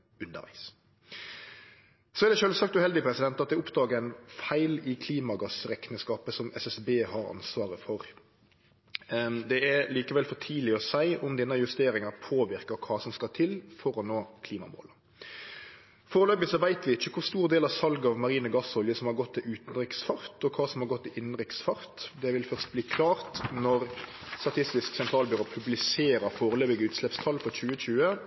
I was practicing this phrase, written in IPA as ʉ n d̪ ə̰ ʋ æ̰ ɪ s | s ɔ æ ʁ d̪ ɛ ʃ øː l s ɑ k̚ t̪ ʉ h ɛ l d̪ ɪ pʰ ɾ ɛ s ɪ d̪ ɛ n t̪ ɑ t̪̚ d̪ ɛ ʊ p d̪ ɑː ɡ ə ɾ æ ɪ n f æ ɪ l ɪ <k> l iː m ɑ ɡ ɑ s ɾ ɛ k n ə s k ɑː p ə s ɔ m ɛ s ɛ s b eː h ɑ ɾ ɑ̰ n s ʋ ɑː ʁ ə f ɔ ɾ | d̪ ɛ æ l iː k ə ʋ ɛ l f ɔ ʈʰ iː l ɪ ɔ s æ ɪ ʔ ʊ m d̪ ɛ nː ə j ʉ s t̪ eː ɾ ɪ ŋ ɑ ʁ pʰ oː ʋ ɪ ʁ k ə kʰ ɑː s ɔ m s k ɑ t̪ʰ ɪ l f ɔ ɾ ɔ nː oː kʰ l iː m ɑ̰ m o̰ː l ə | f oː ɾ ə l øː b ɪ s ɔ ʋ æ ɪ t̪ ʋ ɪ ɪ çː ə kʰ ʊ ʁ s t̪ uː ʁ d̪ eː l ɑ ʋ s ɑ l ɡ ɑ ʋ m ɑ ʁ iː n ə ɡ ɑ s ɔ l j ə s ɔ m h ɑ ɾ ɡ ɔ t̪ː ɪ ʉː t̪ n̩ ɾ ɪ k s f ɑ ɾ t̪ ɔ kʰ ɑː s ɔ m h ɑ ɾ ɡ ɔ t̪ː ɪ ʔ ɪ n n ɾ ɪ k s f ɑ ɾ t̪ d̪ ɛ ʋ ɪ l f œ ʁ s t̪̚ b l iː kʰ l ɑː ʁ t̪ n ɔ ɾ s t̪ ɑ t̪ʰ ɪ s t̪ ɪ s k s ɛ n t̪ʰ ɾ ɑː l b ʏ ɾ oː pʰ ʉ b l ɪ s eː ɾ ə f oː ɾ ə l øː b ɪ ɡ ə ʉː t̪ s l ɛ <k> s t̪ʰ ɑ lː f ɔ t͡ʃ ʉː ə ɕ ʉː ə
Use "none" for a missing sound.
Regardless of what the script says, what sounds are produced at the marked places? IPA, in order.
kʰ, p

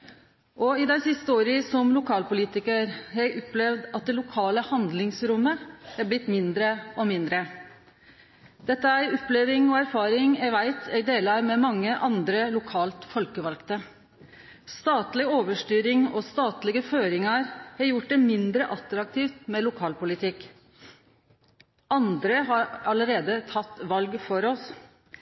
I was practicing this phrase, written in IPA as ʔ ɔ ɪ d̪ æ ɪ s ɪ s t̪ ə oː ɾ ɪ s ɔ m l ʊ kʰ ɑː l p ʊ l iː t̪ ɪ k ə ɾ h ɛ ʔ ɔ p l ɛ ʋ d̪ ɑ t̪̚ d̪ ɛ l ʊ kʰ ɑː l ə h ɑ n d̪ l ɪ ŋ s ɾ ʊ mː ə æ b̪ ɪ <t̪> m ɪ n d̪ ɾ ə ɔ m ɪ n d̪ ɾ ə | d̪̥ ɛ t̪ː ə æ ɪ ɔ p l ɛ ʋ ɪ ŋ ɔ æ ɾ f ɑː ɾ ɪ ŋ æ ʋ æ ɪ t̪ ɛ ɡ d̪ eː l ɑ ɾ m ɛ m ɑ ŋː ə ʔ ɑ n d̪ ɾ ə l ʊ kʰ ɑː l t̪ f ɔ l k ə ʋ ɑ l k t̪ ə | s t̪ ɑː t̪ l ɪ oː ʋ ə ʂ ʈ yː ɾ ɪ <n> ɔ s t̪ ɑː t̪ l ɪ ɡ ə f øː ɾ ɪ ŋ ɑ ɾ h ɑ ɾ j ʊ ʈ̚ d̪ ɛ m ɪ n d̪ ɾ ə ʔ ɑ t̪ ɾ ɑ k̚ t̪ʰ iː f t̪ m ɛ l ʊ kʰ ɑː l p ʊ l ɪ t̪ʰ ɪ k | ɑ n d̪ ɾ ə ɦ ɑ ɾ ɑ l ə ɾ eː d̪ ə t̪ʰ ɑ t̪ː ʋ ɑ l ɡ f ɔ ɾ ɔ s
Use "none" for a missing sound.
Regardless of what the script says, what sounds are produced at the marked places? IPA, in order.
t̪, ŋ

